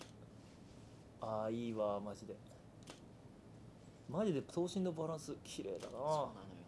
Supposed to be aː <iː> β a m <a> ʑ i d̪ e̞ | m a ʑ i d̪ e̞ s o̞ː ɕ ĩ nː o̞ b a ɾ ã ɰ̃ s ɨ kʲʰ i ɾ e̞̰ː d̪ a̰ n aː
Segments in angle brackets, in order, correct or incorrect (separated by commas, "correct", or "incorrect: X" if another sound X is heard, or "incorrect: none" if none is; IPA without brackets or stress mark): correct, correct